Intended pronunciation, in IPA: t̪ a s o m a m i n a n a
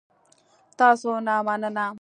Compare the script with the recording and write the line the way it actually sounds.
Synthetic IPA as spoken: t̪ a s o n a m a n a n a